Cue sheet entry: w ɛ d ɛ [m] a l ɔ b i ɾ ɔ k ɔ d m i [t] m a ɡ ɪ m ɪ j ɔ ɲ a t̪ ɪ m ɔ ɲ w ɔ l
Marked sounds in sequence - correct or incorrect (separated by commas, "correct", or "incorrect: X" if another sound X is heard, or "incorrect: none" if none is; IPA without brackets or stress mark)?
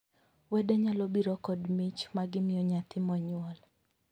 incorrect: ɲ, incorrect: t͡ʃ